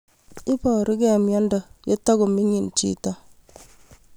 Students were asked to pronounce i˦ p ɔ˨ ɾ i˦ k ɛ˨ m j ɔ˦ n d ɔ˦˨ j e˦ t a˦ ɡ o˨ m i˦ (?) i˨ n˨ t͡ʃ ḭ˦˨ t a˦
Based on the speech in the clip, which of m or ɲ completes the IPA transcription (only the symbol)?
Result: ɲ